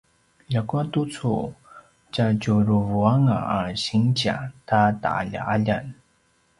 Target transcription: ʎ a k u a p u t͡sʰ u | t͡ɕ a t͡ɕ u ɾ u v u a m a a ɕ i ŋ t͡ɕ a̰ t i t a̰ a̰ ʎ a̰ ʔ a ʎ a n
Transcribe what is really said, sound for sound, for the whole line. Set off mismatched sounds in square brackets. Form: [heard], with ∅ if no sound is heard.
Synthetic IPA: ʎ a k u a [t] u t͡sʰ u | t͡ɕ a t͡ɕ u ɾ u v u a [ŋ] a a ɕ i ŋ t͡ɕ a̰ t [a] t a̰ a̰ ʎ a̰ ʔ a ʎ a n